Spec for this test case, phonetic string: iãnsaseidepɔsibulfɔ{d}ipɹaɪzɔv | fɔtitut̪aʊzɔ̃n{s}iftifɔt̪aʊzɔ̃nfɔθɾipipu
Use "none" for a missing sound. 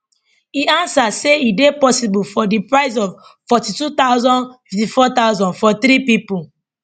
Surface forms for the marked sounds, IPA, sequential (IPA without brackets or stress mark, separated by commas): d, f